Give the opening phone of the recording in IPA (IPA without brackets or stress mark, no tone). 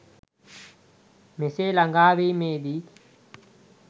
m